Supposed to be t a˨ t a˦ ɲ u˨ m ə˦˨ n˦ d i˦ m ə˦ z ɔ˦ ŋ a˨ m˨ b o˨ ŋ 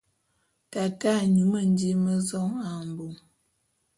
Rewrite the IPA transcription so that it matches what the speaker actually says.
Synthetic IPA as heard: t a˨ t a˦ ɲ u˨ m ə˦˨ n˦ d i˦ m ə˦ z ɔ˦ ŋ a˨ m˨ b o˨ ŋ